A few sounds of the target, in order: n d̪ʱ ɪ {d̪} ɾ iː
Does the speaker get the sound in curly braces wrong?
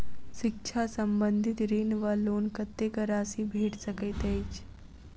yes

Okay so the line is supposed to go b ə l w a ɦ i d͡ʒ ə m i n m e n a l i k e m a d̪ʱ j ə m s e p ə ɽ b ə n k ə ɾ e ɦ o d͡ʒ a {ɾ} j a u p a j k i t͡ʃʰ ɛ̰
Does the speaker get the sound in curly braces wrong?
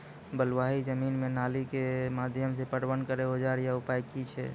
no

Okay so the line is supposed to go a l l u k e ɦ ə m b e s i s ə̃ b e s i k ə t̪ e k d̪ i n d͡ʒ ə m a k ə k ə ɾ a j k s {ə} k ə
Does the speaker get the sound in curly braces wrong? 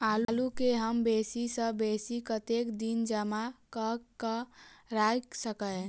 no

